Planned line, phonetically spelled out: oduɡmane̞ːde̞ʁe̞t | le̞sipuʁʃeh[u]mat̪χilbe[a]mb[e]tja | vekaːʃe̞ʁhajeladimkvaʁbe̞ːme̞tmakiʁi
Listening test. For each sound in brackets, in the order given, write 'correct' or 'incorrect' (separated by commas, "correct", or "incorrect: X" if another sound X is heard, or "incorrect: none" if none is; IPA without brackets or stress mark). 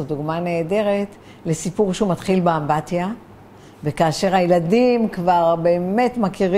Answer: correct, correct, incorrect: a